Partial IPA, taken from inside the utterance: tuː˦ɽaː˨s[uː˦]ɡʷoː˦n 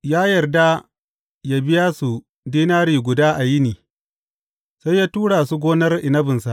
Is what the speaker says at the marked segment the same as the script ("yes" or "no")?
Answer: no